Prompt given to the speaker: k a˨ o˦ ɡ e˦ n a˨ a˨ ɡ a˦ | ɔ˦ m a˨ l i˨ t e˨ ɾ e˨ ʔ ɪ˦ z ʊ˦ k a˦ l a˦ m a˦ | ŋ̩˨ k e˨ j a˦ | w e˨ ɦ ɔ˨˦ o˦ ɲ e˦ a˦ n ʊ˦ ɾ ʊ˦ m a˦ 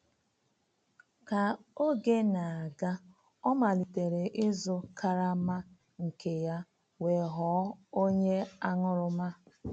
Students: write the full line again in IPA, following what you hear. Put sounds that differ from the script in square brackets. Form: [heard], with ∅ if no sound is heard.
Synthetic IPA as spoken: k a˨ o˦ ɡ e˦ n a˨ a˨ ɡ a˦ | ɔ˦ m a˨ l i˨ t e˨ ɾ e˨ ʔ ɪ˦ z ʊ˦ k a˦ [ɾ] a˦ m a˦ | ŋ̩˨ k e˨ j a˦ | w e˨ ɦ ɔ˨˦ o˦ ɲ e˦ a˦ [ŋ] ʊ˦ ɾ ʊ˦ m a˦